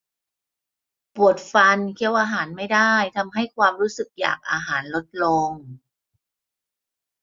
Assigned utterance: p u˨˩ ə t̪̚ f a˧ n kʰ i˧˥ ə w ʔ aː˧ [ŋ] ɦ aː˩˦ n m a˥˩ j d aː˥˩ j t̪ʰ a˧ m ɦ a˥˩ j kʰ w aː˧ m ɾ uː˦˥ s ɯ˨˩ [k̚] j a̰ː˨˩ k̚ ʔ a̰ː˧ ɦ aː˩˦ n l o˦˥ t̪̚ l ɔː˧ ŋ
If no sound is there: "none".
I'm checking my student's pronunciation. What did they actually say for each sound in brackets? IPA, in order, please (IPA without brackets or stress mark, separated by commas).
none, k̚